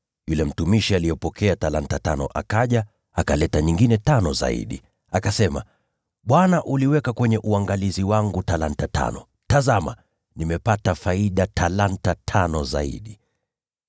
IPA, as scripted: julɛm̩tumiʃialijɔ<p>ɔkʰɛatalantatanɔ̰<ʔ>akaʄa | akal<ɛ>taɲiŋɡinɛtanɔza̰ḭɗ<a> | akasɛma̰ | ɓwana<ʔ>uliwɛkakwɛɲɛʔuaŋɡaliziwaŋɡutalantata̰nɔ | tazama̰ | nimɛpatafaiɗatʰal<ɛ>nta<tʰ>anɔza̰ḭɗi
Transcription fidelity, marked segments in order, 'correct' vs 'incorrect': correct, correct, correct, incorrect: i, correct, incorrect: a, correct

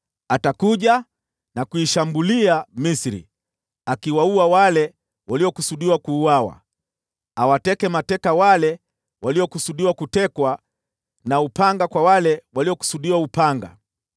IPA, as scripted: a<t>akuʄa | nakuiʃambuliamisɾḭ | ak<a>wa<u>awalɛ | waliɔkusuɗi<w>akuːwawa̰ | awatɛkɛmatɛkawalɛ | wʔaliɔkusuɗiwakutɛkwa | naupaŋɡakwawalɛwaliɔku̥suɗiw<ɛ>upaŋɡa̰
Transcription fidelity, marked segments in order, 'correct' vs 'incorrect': correct, incorrect: i, correct, correct, incorrect: a

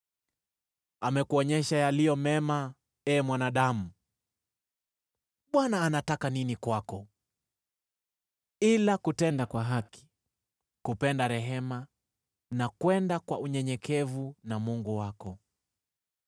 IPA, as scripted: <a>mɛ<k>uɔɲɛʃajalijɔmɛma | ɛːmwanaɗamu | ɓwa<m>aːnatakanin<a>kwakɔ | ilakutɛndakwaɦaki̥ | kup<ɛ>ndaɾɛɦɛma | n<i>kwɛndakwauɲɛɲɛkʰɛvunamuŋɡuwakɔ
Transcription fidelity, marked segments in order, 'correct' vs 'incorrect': correct, correct, incorrect: n, incorrect: i, correct, incorrect: a

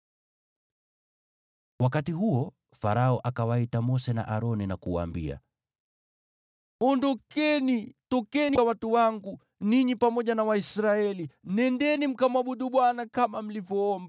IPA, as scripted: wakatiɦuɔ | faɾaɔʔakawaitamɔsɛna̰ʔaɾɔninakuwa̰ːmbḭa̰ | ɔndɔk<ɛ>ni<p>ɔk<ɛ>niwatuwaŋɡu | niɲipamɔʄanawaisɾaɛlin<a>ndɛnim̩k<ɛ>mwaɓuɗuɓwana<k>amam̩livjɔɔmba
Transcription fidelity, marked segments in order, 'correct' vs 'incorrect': correct, incorrect: t, correct, incorrect: ɛ, incorrect: a, correct

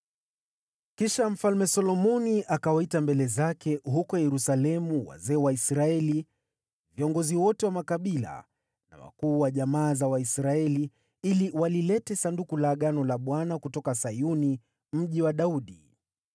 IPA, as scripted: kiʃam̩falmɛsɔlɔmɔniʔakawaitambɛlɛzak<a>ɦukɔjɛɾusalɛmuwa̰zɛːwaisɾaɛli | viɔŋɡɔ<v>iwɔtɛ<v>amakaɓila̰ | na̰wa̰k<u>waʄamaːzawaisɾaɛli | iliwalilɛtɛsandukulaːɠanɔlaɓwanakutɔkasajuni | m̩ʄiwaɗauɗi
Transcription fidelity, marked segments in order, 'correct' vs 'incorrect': incorrect: ɛ, incorrect: z, incorrect: w, incorrect: uː

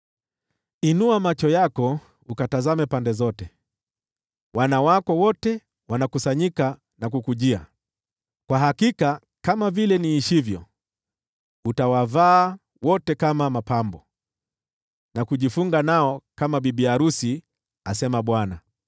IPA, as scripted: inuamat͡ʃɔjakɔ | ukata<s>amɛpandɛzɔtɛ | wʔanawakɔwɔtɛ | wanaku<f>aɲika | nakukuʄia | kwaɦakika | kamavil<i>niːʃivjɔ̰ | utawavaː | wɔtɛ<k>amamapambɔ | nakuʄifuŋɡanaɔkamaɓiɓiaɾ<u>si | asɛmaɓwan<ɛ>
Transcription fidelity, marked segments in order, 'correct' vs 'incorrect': incorrect: z, incorrect: s, incorrect: ɛ, correct, correct, incorrect: a

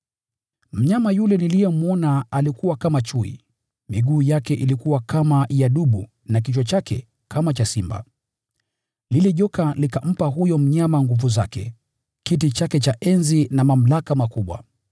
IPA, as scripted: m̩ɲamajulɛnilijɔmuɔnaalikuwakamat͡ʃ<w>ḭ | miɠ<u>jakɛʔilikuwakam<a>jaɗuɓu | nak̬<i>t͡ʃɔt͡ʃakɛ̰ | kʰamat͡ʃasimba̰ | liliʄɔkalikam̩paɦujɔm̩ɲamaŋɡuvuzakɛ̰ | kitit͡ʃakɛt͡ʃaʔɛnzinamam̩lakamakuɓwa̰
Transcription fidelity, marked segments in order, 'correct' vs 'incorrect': incorrect: u, incorrect: uː, correct, correct

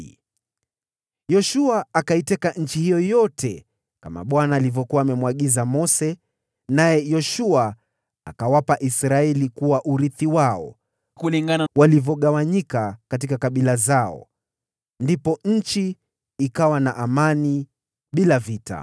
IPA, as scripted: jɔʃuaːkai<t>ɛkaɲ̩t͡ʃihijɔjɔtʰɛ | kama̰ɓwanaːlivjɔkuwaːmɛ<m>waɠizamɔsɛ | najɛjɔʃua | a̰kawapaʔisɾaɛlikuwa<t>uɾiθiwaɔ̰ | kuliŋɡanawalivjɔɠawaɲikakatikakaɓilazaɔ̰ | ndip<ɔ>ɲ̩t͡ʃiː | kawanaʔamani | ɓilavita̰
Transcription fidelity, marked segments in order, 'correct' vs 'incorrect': correct, correct, incorrect: ʔ, correct

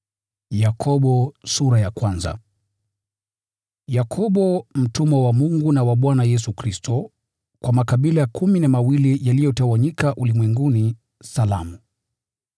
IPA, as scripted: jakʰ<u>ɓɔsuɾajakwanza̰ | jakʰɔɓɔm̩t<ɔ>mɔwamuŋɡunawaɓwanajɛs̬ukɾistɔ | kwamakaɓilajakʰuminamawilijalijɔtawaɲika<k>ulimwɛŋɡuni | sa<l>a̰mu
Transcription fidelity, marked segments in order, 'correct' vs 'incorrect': incorrect: ɔ, incorrect: u, incorrect: ʔ, correct

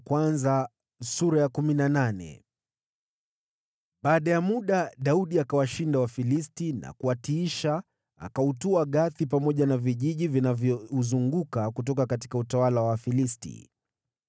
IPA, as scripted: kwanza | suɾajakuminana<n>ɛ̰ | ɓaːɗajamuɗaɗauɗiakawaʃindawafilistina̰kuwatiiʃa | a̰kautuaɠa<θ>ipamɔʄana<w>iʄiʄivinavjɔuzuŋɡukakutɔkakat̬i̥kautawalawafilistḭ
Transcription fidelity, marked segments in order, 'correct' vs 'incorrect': correct, correct, incorrect: v

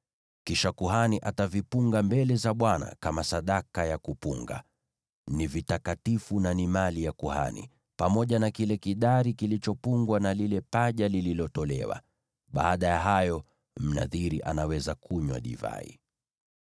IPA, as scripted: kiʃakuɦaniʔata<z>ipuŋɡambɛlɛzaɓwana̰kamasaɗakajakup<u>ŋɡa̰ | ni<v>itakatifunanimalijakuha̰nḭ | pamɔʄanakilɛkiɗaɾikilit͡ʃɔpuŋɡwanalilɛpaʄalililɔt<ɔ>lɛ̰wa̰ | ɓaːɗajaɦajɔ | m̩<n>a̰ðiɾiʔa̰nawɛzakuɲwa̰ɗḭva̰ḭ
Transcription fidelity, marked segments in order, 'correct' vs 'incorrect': incorrect: v, correct, correct, correct, correct

